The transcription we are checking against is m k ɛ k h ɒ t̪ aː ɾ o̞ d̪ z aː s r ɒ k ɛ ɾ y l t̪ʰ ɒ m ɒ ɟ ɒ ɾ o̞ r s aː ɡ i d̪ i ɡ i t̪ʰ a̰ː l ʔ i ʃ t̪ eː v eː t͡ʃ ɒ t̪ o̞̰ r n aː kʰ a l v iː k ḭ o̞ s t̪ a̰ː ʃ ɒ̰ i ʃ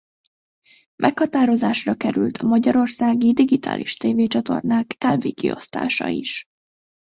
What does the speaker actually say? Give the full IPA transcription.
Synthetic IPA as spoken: m ʔ ɛ k h ɒ t̪ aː ɾ o̞ z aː ʃ r ɒ k ɛ ɾ y l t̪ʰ ɒ m ɒ ɟ ɒ ɾ o̞ r s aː ɡ i d̪ i ɡ i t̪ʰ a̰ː l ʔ i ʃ t̪ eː v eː t͡ʃ ɒ t̪ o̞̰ r n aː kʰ ɛ l v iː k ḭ o̞ s t̪ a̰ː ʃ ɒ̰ i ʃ